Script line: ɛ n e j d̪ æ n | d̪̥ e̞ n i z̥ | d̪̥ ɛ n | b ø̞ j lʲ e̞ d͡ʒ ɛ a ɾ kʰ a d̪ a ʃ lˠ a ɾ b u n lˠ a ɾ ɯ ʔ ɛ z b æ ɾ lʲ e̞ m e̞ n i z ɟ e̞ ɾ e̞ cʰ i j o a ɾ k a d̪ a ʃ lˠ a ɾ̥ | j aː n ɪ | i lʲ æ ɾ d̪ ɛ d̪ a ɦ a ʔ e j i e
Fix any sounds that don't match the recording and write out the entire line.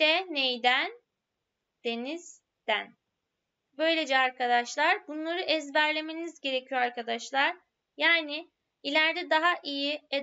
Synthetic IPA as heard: ɛ n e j d̪ æ n | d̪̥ e̞ n i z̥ | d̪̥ æ n | b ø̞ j lʲ e̞ d͡ʒ ɛ a ɾ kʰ a d̪ a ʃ lˠ a ɾ b u n lˠ a ɾ ɯ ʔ ɛ z b æ ɾ lʲ e̞ m e̞ n i z ɟ e̞ ɾ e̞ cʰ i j o a ɾ k a d̪ a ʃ lˠ a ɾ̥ | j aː n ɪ | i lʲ æ ɾ d̪ ɛ d̪ a ɦ a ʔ i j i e